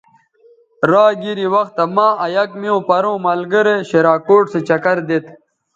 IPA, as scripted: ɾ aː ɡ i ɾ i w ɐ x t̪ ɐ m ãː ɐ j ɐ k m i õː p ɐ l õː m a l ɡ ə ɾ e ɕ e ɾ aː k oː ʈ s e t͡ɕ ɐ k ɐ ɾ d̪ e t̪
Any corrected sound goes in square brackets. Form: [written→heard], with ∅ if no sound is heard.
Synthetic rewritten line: ɾ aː ɡ i ɾ i w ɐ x t̪ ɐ m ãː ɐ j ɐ k m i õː p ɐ [l→ɾ] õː m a l ɡ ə ɾ e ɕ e ɾ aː k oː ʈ s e t͡ɕ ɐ k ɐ ɾ d̪ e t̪